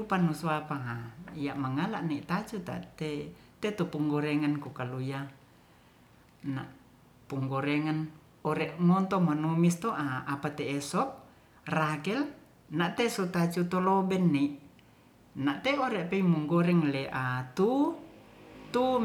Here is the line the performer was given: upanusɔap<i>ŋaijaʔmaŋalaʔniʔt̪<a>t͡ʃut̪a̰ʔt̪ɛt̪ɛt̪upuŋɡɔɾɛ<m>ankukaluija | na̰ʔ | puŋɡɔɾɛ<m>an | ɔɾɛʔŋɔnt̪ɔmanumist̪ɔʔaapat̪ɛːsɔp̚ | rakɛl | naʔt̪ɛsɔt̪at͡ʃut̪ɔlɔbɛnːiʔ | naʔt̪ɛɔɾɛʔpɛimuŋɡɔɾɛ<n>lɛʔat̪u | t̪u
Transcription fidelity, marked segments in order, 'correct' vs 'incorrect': incorrect: a, correct, incorrect: ŋ, incorrect: ŋ, incorrect: ŋ

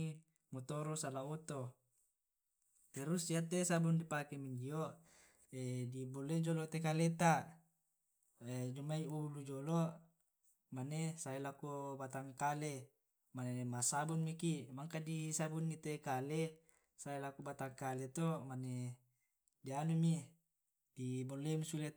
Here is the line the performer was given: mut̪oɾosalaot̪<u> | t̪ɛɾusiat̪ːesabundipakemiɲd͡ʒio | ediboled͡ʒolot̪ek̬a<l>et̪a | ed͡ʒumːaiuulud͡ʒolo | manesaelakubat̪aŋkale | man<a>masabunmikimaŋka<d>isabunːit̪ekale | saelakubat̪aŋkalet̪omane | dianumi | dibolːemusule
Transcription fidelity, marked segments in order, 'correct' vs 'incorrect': incorrect: o, correct, incorrect: e, correct

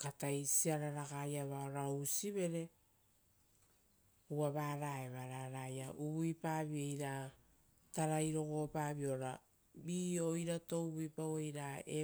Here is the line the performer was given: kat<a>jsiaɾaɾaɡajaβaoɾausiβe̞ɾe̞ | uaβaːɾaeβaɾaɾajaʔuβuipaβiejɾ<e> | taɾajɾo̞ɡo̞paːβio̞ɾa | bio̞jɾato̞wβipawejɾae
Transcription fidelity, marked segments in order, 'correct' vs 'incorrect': correct, incorrect: a

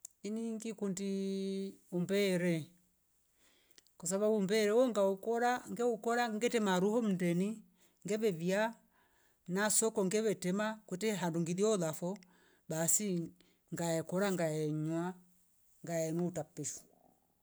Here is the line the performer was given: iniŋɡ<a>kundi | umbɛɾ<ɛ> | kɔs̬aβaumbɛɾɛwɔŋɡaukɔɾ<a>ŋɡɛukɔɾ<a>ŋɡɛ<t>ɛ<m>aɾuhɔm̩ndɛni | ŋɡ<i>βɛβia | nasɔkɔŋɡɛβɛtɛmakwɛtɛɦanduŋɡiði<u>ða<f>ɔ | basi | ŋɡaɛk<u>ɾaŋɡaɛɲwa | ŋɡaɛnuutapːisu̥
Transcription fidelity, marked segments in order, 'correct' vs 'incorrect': incorrect: i, correct, correct, correct, correct, correct, incorrect: ɛ, incorrect: ɔ, correct, incorrect: ɔ

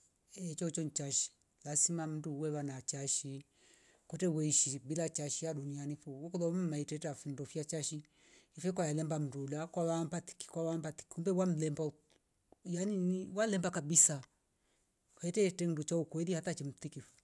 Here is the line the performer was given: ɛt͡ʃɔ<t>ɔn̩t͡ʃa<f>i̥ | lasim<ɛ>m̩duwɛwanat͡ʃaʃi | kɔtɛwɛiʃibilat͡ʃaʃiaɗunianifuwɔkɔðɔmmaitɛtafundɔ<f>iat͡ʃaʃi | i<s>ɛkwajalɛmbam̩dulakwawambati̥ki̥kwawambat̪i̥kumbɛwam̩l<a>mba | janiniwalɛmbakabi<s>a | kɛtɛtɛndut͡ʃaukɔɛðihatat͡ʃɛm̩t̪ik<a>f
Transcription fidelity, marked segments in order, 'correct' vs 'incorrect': incorrect: t͡ʃ, incorrect: ʃ, incorrect: a, correct, incorrect: f, incorrect: ɛ, correct, incorrect: i

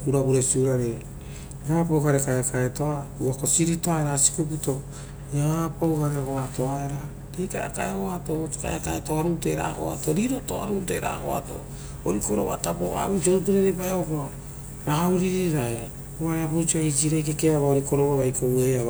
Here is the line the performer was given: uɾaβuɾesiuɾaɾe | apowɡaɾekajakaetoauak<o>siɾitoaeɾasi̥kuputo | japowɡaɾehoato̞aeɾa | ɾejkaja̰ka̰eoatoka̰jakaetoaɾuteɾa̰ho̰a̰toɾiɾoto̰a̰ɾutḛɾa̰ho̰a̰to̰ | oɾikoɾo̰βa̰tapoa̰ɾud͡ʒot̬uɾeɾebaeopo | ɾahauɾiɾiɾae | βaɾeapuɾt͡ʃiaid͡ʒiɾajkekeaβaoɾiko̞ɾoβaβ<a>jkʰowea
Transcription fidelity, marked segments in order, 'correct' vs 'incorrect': correct, correct

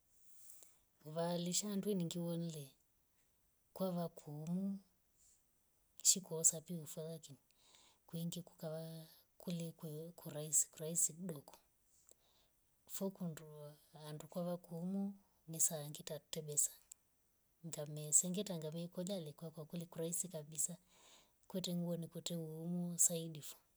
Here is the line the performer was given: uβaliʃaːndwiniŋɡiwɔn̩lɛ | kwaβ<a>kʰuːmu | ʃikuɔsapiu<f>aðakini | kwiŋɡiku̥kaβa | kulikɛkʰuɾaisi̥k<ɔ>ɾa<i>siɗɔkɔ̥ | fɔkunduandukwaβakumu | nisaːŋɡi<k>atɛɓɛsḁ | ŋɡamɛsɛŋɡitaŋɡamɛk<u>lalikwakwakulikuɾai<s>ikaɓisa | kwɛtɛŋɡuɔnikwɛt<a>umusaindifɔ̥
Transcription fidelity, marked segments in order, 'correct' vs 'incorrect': correct, correct, incorrect: u, correct, incorrect: t, incorrect: ɔ, correct, incorrect: ɛ

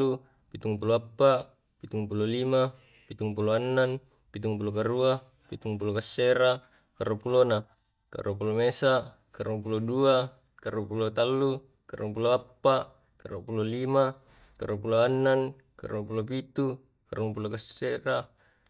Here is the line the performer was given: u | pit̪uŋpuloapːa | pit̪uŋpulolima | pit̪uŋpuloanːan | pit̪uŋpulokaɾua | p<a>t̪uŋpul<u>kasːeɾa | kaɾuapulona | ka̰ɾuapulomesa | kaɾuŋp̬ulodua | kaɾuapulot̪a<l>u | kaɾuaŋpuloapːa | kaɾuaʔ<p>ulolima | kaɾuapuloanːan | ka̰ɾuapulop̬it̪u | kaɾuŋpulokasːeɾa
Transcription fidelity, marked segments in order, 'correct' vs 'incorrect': incorrect: i, incorrect: o, incorrect: lː, correct

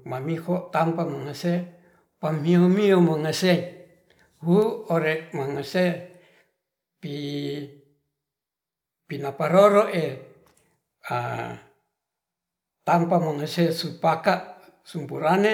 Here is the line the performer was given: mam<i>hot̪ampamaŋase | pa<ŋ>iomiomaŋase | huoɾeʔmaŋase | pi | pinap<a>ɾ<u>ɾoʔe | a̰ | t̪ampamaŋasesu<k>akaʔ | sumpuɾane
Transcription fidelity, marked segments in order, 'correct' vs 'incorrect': correct, incorrect: m, correct, incorrect: o, incorrect: p

